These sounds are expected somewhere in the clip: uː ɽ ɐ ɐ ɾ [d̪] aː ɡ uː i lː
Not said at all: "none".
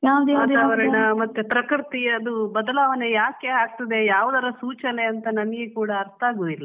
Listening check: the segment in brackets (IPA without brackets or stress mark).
t̪